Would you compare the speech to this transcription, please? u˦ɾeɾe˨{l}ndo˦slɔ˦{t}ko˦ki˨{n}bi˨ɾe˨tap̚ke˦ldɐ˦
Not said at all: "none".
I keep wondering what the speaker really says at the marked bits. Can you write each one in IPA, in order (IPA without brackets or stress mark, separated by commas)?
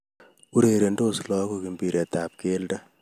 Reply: none, none, m